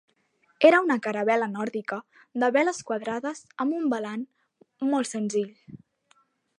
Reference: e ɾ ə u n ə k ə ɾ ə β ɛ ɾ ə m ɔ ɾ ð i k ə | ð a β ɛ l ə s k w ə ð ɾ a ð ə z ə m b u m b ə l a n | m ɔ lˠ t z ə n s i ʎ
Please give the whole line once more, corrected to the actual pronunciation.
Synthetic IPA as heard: e ɾ ə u n ə k ə ɾ ə β ɛ l ə n ɔ ɾ ð i k ə | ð ə β ɛ l ə s k w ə ð ɾ a ð ə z ə m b u m b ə l a n | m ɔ lˠ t s ə n z i ʎ